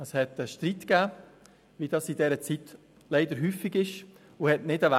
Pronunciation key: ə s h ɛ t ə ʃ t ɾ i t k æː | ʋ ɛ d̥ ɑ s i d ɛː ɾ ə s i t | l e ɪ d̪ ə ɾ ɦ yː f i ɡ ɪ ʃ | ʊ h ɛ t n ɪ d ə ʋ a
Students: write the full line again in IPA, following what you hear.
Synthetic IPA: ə s h ɛ t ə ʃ t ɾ i t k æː | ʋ i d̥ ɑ s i d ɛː ɾ ə t͡s i t | l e ɪ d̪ ə ɾ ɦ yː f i ɡ ɪ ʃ | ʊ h ɛ t n ɪ d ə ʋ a